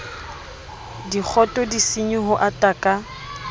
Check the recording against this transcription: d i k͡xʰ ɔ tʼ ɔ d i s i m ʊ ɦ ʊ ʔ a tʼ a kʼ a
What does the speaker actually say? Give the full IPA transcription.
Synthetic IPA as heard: d i k͡xʰ ɔ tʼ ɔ d i s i ɲ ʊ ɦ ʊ ʔ a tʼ a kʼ a

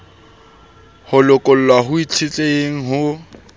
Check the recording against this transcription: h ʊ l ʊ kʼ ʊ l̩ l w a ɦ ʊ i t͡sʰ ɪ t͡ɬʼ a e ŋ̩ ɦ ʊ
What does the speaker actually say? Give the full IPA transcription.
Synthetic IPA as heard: h ʊ l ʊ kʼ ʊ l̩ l w a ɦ ʊ i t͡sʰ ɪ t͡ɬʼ e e ŋ̩ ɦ ʊ

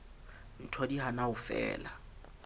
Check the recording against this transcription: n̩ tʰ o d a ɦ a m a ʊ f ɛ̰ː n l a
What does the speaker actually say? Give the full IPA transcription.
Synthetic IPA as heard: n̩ tʰ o d i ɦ a n a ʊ f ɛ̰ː l a

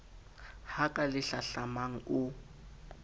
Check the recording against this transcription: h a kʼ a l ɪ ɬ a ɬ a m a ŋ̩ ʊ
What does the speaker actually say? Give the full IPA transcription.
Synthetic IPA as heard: h a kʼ a l ɪ ɬ a ɬ a m a ŋ̩ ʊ

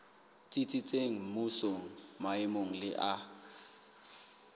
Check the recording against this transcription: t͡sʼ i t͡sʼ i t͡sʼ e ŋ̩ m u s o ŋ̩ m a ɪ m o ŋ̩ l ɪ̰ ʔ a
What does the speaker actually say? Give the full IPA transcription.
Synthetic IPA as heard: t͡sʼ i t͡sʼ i t͡sʼ e ŋ̩ m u s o ŋ̩ m a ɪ m o ŋ̩ l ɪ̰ ʔ a

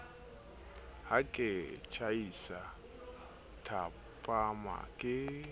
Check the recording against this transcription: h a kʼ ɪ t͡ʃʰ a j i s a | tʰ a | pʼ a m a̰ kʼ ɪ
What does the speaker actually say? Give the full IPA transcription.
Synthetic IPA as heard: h a kʼ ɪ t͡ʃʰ a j i s a | tʰ a | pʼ a m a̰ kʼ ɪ

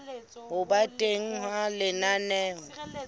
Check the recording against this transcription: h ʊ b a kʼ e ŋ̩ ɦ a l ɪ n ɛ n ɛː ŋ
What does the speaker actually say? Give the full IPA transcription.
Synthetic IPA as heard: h ʊ b a tʼ e ŋ̩ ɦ a l ɪ n a n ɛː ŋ

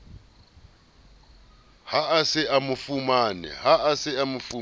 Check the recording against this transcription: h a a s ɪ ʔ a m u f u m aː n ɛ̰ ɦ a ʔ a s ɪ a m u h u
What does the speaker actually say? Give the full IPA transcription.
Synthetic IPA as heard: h a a s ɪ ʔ a m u f u m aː n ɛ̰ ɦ a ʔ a s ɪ a m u f u

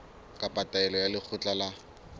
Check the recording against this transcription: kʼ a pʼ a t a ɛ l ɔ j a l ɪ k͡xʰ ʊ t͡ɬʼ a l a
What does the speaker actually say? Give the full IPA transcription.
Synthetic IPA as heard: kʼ a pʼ a t a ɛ l ɔ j a l ɪ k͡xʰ ʊ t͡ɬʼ a l a

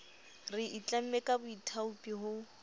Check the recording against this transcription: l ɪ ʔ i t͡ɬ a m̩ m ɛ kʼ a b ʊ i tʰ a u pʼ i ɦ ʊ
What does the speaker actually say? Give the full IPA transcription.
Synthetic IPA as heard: r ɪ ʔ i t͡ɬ a m̩ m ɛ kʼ a b ʊ i tʰ a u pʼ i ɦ ʊ

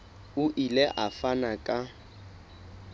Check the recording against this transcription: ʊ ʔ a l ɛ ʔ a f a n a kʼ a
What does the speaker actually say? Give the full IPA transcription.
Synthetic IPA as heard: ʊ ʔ i l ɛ ʔ a f a n a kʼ a

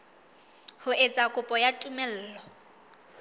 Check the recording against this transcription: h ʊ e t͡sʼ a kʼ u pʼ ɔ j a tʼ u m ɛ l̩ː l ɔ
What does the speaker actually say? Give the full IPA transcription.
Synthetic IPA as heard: h ʊ e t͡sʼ a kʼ ʊ pʼ ɔ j a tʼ u m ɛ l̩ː l ɔ

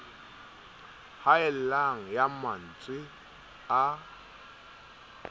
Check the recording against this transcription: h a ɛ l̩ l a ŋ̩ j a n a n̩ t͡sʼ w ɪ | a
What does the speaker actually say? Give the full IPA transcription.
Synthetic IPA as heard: h a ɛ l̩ l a ŋ̩ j a m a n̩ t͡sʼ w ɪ | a

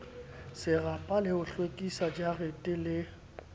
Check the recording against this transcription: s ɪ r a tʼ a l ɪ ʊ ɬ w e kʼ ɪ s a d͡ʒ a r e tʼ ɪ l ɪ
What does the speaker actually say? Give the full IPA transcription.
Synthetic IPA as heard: s ɪ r a pʼ a l ɪ ʊ ɬ w e kʼ i s a d͡ʒ a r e tʼ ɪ l ɪ

